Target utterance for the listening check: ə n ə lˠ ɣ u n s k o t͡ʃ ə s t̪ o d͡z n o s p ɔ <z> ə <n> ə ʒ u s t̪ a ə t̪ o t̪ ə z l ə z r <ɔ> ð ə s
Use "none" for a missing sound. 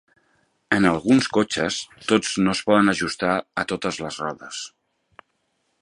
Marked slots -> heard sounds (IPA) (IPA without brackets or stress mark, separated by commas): ð, n, ɔ